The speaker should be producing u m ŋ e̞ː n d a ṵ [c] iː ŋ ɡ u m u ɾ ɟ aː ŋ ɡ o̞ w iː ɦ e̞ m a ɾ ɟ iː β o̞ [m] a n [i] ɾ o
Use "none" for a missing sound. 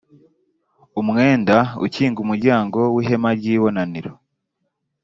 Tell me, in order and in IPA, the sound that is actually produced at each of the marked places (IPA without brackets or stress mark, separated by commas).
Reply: c, n, i